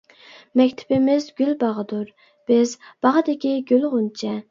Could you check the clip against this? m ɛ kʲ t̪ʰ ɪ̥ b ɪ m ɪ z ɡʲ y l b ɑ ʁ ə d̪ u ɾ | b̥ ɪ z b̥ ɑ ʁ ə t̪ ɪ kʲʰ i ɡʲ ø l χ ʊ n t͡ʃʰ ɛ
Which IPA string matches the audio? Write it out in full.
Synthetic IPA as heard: m ɛ kʲ t̪ʰ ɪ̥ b ɪ m ɪ z ɡʲ y l b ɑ ʁ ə d̪ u ɾ | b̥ ɪ z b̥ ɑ ʁ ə d̪ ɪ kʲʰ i ɡʲ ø l ʁ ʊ n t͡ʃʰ ɛ

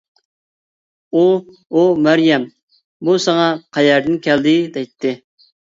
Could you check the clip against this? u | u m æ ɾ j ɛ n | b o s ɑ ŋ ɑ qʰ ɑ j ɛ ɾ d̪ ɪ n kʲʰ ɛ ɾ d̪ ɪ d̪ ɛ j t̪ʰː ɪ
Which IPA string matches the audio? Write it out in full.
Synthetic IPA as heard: u | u m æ ɾ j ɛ m | b u s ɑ ŋ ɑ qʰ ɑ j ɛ ɾ d̪ ɪ n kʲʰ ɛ l d̪ ɪ d̪ ɛ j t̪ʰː ɪ

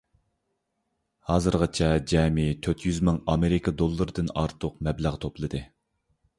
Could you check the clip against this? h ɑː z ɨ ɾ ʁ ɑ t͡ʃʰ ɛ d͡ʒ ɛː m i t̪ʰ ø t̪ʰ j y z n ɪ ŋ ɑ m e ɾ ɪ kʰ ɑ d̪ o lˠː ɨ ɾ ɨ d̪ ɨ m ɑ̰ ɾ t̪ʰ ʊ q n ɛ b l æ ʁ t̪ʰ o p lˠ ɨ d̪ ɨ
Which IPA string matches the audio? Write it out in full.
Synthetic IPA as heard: h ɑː z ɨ ɾ ʁ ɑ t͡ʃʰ ɛ d͡ʒ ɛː m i t̪ʰ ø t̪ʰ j y z m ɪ ŋ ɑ m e ɾ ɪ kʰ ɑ d̪ o lˠː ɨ ɾ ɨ d̪ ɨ n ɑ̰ ɾ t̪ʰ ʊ q m ɛ b l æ ʁ t̪ʰ o p lˠ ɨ d̪ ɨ

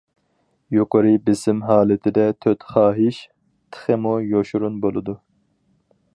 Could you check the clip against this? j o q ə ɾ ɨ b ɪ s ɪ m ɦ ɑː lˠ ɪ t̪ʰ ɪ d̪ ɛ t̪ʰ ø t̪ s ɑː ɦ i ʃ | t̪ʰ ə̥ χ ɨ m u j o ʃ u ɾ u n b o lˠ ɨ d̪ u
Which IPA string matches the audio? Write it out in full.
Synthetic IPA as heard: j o q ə ɾ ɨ b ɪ s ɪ m ɦ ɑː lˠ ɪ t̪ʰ ɪ d̪ ɛ t̪ʰ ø t̪ χ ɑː ɦ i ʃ | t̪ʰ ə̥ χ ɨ m u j o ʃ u ɾ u n b o lˠ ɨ d̪ u

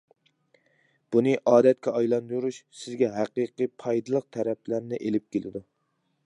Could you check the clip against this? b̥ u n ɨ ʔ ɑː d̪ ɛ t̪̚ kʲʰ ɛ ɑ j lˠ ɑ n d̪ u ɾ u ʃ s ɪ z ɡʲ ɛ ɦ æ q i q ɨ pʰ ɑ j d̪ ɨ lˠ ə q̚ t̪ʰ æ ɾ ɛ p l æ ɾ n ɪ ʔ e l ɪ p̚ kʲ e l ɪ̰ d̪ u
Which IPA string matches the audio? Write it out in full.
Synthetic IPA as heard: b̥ u n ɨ ʔ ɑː d̪ ɛ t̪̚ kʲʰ ɛ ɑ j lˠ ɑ n d̪ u ɾ u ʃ s ɪ z ɡʲ ɛ ɦ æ q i q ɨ pʰ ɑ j d̪ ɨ lˠ ə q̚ t̪ʰ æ ɾ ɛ p l æ ɾ n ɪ ʔ e l ɪ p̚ kʲ e l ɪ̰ d̪ u

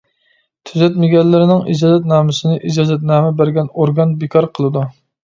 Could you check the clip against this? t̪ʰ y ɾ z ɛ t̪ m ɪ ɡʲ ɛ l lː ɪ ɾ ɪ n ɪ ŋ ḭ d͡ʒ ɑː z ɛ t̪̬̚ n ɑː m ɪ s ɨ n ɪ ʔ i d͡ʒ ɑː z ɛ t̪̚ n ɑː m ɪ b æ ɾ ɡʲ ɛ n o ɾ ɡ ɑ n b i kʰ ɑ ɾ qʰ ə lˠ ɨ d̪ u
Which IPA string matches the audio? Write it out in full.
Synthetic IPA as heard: t̪ʰ y z ɛ t̪ m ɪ ɡʲ ɛ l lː ɪ ɾ ɪ n ɪ ŋ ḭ d͡ʒ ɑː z ɛ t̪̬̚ n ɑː m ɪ s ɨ n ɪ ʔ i d͡ʒ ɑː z ɛ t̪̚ n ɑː m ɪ b æ ɾ ɡʲ ɛ n o ɾ ɡ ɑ n b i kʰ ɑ ɾ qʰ ə lˠ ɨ d̪ u

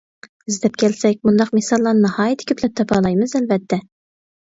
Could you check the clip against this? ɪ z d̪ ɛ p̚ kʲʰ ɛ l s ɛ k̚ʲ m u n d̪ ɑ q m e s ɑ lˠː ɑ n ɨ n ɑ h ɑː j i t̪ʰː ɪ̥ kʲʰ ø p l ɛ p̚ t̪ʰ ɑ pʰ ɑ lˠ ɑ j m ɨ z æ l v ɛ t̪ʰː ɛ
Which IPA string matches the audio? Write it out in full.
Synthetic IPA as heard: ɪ z d̪ ɛ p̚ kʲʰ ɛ l s ɛ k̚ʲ m u n d̪ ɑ q m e s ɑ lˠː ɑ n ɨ n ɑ h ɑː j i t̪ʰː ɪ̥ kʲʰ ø p l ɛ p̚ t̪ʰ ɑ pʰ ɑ lˠ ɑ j m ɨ z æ l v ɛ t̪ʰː ɛ

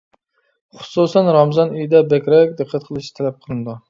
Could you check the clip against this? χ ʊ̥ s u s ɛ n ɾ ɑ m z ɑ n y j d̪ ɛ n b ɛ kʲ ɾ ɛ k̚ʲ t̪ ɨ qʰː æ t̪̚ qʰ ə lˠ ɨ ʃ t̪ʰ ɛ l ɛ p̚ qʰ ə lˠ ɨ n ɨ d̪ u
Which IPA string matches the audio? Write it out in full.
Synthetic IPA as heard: χ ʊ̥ s u s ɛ n ɾ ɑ m z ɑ n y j d̪ ɛ b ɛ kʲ ɾ ɛ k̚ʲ d̪ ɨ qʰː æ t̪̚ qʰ ə lˠ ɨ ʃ t̪ʰ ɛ l ɛ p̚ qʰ ə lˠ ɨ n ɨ d̪ u

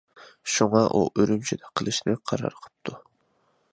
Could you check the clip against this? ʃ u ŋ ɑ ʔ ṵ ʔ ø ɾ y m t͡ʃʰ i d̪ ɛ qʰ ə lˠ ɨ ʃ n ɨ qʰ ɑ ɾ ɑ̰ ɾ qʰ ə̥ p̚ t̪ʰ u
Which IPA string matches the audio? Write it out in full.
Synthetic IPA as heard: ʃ u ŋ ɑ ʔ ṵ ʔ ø ɾ y m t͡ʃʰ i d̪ ɛ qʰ ə lˠ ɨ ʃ n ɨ qʰ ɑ ɾ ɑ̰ ɾ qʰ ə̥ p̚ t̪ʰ u

